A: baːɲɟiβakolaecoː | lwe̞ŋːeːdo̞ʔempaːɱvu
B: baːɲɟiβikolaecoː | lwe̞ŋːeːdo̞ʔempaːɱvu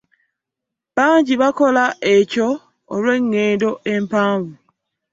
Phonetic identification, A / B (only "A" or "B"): A